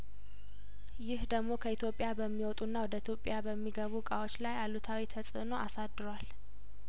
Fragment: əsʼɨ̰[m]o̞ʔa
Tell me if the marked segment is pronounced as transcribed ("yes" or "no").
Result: no